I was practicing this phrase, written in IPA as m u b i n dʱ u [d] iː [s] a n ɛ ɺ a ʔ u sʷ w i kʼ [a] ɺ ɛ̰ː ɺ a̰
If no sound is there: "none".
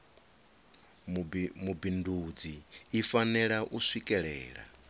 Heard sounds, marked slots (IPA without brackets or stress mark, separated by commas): d͡z, f, ɛ